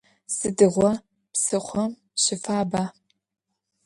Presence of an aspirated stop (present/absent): absent